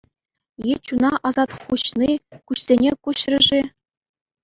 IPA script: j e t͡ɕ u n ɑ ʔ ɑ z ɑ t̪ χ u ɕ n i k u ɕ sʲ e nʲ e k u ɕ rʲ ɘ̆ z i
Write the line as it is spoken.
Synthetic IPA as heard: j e t͡ɕ u n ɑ ʔ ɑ z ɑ t̪ χ u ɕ n i k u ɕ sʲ e nʲ e k u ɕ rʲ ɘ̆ ʐ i